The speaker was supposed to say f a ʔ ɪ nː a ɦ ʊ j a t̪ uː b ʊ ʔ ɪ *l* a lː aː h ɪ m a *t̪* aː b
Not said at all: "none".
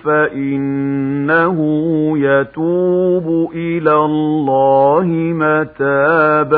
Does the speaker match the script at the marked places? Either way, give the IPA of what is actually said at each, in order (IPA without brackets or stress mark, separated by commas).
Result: l, t̪